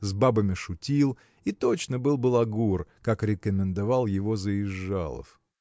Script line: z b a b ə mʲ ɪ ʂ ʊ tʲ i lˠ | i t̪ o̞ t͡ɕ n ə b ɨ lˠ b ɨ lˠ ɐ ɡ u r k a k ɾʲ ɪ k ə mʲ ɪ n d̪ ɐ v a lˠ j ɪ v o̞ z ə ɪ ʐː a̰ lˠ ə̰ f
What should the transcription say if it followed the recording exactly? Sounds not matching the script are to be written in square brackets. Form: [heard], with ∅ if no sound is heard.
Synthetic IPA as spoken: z b a b ə mʲ ɪ ʂ ʊ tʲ i lˠ | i t̪ o̞ t͡ɕ n ə b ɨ lˠ b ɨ lˠ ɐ ɡ u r k a k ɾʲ ɪ k ə mʲ ɪ n d̪ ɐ v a lˠ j ɪ v o̞ z ə ɪ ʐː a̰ lˠ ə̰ f

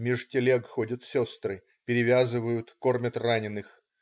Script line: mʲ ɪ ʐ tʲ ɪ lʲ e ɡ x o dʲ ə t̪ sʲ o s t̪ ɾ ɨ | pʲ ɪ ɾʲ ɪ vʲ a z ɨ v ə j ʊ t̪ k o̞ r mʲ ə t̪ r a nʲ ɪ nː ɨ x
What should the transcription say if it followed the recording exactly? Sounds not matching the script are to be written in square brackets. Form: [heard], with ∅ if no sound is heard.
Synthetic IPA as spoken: mʲ ɪ ʐ tʲ ɪ lʲ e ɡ x o dʲ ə t̪ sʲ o s t̪ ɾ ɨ | pʲ ɪ ɾʲ ɪ vʲ a z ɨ v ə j ʊ t̪ k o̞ r mʲ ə t̪ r a nʲ ɪ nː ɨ x

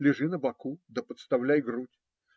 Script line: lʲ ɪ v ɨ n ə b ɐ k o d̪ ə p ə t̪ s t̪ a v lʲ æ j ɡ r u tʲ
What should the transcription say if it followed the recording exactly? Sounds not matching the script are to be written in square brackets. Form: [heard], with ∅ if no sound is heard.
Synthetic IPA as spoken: lʲ ɪ [ʐ] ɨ n ə b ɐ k [u] d̪ ə p ə t̪ s t̪ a v lʲ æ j ɡ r u tʲ

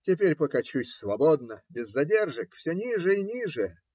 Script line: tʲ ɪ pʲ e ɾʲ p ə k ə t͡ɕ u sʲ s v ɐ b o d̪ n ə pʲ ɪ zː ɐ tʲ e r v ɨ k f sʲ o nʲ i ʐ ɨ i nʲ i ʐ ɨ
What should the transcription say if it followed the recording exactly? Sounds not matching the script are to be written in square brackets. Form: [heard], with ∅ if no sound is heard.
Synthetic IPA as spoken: tʲ ɪ pʲ e ɾʲ p ə k [ɐ] t͡ɕ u sʲ s v ɐ b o d̪ n ə [bʲ] ɪ zː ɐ [dʲ] e r [ʐ] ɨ k f sʲ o nʲ i ʐ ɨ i nʲ i ʐ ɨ

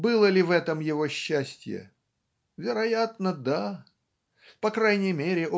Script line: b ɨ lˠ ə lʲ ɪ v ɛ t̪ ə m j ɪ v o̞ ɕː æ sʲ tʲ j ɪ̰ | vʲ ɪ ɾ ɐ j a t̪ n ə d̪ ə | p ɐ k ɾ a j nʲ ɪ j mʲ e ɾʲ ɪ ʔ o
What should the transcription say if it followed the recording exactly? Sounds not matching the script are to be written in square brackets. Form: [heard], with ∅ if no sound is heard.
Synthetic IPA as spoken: b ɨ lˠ ə lʲ ɪ v ɛ t̪ ə m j ɪ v o̞ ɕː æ sʲ tʲ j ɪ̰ | vʲ ɪ ɾ ɐ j a t̪ n ə d̪ [a] | p ɐ k ɾ a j nʲ ɪ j mʲ e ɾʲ ɪ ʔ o

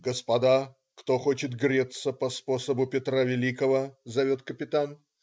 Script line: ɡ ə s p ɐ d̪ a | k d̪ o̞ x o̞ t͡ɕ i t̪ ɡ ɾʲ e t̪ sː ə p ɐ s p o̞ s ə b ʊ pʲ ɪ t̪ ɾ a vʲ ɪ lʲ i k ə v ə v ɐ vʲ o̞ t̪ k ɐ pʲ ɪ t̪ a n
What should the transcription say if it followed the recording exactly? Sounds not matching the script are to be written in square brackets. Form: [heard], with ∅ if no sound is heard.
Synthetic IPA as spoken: ɡ ə s p ɐ d̪ a | k [t̪] o̞ x o̞ t͡ɕ [ɪ] t̪ ɡ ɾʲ e t̪ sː ə p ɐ s p o̞ s ə b ʊ pʲ ɪ t̪ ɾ a vʲ ɪ lʲ i k ə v ə [z] ɐ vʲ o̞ t̪ k [ə] pʲ ɪ t̪ a n

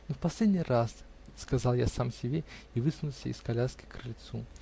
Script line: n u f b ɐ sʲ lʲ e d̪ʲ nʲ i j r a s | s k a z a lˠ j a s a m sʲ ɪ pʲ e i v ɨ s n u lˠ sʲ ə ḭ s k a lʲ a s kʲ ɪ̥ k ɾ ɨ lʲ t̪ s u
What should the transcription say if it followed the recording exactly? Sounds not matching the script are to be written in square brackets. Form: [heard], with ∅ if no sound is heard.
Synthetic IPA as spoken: n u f [p] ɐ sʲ lʲ e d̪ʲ nʲ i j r a s | s k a z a lˠ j a s a m sʲ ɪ [bʲ] e i v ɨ s n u lˠ sʲ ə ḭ s k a lʲ a s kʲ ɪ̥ k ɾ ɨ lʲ t̪ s u

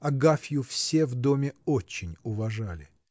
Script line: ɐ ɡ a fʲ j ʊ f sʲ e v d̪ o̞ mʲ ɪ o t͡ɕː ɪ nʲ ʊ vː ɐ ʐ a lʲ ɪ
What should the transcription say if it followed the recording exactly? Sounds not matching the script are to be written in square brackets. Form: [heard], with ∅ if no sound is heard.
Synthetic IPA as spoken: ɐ ɡ a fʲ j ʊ f sʲ e v d̪ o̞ mʲ ɪ o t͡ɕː ɪ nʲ ʊ [v] ɐ ʐ a lʲ ɪ

